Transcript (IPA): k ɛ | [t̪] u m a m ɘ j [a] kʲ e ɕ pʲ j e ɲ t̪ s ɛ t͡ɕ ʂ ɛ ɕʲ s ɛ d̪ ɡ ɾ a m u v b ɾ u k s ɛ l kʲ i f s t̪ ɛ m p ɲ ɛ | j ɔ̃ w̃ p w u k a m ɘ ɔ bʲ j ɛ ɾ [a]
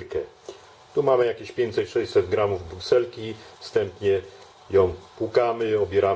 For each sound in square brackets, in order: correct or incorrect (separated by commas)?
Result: correct, correct, correct